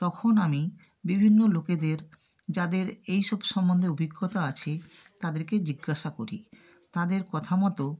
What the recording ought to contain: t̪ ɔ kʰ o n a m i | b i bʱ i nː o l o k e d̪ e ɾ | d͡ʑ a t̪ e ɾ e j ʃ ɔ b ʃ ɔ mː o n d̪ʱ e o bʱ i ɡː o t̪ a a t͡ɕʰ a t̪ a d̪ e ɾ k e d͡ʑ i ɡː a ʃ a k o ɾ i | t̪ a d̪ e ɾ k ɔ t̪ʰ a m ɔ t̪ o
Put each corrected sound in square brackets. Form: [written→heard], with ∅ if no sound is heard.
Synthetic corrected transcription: t̪ ɔ kʰ o n a m i | b i bʱ i nː o l o k e d̪ e ɾ | d͡ʑ a [t̪→d̪] e ɾ e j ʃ ɔ b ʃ ɔ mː o n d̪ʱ e o bʱ i ɡː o t̪ a a t͡ɕʰ [a→e] t̪ a d̪ e ɾ k e d͡ʑ i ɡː a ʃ a k o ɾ i | t̪ a d̪ e ɾ k ɔ t̪ʰ a m ɔ t̪ o